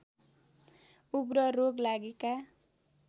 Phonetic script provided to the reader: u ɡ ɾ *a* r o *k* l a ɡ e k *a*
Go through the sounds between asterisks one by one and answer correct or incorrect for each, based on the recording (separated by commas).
incorrect, incorrect, correct